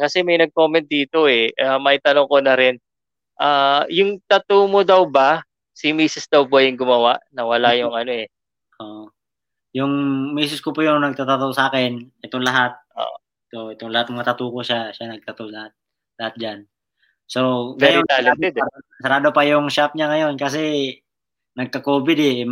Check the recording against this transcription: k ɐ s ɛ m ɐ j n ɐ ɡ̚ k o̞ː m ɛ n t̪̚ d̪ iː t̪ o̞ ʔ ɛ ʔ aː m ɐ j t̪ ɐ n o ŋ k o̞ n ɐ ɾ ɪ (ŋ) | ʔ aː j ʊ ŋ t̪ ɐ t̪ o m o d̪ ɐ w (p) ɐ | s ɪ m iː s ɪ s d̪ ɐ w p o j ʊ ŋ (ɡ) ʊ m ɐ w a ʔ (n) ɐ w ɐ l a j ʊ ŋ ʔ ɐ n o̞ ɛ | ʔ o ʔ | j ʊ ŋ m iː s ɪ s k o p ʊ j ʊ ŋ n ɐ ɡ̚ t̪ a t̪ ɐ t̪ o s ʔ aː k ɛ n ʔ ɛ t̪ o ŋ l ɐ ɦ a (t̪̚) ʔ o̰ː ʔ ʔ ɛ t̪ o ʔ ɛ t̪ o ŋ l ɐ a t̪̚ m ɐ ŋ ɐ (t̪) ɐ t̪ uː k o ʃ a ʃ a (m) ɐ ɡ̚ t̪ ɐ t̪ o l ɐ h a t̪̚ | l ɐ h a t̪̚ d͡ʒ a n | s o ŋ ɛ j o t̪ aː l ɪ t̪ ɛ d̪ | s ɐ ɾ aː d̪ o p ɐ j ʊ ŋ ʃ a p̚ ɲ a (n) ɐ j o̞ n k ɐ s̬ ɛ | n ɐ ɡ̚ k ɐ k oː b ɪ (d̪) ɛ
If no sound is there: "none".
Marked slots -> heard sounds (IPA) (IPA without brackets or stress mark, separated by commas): n, b, ɡ, n, t̪̚, t̪, n, ŋ, d̪